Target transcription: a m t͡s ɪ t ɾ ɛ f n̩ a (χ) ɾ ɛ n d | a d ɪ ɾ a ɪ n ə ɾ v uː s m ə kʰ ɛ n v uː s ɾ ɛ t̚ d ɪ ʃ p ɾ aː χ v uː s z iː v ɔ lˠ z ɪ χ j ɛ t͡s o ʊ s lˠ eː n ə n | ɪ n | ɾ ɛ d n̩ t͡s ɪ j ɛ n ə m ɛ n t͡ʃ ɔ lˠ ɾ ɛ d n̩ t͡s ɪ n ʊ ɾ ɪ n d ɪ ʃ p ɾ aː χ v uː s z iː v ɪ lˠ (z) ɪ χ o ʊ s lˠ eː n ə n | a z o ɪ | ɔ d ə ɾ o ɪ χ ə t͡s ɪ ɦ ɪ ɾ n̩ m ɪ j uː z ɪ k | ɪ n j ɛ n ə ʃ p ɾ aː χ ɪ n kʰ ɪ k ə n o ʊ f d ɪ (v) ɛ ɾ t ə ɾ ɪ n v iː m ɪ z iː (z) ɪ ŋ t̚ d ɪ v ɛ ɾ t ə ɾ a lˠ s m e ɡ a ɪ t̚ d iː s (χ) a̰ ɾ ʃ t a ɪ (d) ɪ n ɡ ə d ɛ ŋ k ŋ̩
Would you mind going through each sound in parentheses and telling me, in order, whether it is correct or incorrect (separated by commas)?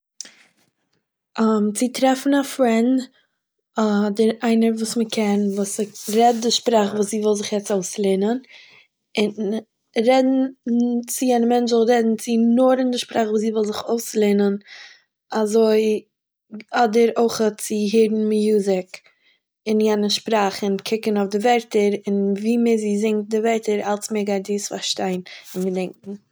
incorrect, correct, correct, correct, incorrect, incorrect